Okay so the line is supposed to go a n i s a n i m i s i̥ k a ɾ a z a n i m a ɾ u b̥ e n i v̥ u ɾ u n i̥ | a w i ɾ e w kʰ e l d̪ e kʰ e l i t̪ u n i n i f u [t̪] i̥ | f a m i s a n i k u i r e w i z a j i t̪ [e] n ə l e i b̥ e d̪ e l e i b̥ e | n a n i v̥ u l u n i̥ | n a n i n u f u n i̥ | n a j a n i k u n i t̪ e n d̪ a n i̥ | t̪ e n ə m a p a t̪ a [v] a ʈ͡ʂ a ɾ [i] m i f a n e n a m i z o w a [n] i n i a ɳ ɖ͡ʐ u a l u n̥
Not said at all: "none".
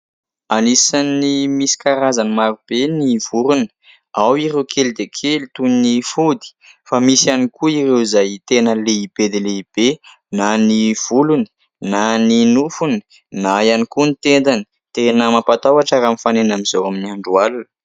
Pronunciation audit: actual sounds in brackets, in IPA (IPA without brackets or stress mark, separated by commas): d̪, e, w, a, m